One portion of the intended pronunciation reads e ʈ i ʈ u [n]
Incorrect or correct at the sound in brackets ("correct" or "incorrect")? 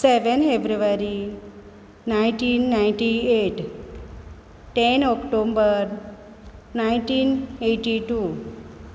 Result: incorrect